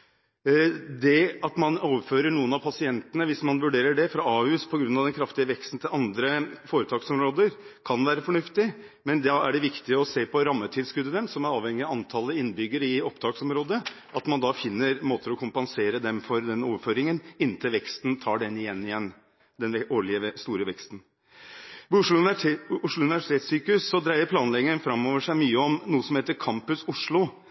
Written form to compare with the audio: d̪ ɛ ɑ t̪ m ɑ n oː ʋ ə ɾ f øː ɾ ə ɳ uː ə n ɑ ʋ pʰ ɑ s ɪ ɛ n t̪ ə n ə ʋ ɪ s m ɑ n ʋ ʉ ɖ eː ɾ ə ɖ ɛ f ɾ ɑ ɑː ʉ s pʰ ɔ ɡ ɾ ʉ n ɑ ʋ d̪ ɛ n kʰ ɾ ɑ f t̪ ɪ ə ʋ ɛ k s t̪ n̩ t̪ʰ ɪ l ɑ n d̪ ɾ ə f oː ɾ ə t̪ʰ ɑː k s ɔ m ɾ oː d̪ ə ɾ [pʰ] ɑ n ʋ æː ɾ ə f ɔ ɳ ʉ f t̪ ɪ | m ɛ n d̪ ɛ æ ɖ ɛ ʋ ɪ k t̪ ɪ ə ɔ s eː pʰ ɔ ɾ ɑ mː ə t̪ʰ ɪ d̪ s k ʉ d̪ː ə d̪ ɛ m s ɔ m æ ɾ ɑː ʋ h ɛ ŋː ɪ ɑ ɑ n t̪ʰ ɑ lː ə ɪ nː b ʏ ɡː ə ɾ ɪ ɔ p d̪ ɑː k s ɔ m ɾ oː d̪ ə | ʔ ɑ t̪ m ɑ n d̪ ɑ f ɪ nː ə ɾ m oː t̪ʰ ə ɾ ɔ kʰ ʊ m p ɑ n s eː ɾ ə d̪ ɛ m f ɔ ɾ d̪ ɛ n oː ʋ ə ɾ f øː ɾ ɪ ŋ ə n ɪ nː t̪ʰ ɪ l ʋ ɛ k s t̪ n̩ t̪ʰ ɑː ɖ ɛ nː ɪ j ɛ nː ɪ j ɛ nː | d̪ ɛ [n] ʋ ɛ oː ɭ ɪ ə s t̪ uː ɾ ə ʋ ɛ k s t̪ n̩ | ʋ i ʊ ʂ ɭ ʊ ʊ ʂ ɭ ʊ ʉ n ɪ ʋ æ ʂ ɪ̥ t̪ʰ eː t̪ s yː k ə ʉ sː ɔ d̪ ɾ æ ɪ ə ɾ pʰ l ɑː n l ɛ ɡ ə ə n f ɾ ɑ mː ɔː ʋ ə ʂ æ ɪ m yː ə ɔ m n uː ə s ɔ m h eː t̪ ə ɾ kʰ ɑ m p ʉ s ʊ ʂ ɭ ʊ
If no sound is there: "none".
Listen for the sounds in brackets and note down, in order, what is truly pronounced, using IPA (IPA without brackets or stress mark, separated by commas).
kʰ, n